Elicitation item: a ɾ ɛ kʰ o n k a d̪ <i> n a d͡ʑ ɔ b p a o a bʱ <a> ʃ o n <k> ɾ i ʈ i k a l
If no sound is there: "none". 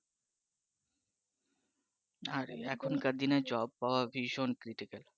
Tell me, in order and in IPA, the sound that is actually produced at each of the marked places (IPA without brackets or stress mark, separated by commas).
i, i, k